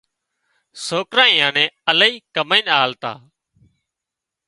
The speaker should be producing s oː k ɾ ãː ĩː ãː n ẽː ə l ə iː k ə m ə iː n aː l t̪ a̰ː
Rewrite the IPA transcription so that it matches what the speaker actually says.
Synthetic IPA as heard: s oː k ɾ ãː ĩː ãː n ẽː ə l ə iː k ə m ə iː n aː l t̪ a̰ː